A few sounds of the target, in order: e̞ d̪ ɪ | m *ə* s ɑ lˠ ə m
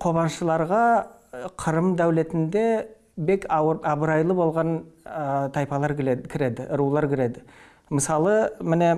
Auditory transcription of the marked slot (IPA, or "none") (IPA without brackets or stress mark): ə